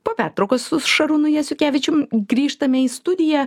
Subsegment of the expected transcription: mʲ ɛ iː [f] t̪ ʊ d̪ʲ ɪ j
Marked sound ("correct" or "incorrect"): incorrect